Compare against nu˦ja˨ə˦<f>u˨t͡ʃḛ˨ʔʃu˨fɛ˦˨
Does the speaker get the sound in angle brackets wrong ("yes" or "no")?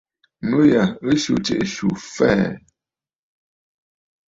yes